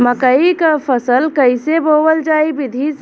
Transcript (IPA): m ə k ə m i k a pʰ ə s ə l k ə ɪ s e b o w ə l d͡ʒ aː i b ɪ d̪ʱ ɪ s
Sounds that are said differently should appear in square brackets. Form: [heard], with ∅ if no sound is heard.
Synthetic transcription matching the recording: m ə k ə [∅] i k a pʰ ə s ə l k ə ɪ s e b o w ə l d͡ʒ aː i b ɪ d̪ʱ [i] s